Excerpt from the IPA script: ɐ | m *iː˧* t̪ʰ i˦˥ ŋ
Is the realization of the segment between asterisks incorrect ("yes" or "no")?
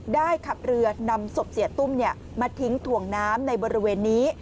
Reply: yes